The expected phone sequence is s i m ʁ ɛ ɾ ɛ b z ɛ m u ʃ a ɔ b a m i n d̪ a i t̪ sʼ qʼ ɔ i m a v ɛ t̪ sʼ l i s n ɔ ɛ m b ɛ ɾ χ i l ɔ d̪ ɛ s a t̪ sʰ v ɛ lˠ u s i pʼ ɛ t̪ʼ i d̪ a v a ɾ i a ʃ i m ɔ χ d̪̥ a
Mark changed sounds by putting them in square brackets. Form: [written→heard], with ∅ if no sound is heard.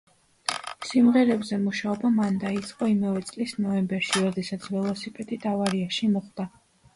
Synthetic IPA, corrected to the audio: s i m ʁ ɛ ɾ ɛ b z ɛ m u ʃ a ɔ b a m [i→a] n d̪ a i t̪ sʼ qʼ ɔ i m a v ɛ t̪ sʼ l i s n ɔ ɛ m b ɛ ɾ [χ→ʃ] i [l→ɾ] ɔ d̪ ɛ s a t̪ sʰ v ɛ lˠ [u→ɔ] s i pʼ ɛ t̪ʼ i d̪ a v a ɾ i a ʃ i m ɔ χ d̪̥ a